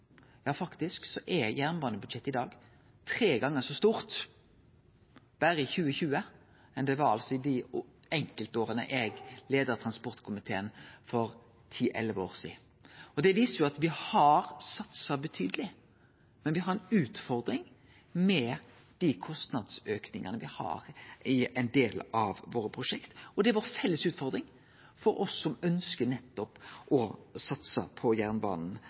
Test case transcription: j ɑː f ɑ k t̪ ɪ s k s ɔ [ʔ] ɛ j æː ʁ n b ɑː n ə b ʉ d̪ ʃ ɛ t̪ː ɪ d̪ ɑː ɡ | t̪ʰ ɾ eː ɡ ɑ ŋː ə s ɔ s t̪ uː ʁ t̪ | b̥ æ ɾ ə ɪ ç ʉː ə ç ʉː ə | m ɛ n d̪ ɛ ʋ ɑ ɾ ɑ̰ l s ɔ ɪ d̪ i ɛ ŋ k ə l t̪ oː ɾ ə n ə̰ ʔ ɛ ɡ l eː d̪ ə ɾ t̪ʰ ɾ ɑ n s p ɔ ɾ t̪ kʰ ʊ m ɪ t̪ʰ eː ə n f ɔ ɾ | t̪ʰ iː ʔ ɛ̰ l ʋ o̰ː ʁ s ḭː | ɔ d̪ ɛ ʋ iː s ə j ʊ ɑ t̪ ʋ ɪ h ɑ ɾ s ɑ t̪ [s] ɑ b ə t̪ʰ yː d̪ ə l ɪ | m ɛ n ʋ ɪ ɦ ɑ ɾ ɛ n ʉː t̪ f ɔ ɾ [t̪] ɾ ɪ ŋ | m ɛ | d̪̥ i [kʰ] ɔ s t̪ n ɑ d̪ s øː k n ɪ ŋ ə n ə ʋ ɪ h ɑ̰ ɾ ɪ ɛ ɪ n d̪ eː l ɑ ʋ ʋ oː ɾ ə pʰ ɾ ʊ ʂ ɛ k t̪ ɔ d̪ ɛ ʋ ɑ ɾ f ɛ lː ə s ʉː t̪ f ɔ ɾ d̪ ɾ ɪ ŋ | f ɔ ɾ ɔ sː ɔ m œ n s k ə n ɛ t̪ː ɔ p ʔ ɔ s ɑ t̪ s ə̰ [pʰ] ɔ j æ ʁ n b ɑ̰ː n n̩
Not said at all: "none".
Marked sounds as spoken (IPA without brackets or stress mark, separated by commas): ʔ, s, d̪, kʰ, pʰ